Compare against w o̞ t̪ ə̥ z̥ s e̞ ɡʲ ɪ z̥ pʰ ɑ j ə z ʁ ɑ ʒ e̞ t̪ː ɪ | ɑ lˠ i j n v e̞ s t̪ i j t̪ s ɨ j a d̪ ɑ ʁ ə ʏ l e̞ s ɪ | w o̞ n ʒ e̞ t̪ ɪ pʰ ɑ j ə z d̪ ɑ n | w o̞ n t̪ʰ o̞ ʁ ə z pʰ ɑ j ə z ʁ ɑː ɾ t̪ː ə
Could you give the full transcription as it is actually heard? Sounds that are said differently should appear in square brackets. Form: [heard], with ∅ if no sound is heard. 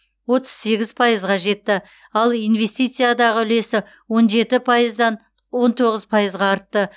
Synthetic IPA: w o̞ t̪ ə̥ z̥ s e̞ ɡʲ ɪ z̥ pʰ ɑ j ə z ʁ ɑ ʒ e̞ t̪ː ɪ | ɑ lˠ i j n v e̞ s t̪ i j t̪ s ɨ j a d̪ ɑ ʁ ə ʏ l e̞ s ɪ | w o̞ n ʒ e̞ t̪ ɪ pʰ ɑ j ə z d̪ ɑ n | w o̞ n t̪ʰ o̞ ʁ ə z pʰ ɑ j ə z ʁ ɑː ɾ t̪ː ə